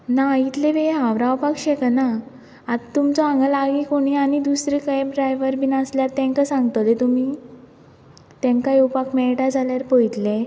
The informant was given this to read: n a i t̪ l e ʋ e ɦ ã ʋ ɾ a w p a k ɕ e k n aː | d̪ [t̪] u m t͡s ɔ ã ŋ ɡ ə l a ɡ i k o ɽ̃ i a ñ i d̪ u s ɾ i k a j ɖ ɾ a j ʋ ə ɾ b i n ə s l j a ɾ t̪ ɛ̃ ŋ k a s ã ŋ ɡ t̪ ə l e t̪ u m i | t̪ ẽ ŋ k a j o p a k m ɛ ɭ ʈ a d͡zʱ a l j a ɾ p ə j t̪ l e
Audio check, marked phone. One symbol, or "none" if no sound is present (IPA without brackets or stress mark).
t̪